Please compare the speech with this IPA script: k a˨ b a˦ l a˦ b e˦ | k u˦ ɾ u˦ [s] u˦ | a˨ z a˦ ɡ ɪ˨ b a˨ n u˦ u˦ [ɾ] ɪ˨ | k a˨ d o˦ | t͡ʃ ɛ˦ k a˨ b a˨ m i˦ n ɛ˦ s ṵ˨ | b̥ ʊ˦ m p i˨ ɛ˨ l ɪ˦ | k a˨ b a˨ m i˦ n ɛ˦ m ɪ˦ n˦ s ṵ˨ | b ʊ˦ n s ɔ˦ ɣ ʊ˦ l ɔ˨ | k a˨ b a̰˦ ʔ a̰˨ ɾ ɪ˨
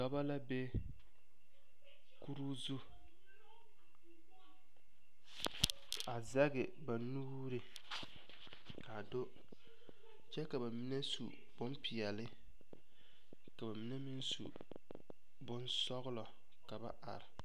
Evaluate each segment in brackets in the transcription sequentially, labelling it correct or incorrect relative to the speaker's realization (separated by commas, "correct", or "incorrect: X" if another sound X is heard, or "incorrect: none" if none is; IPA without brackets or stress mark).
incorrect: z, correct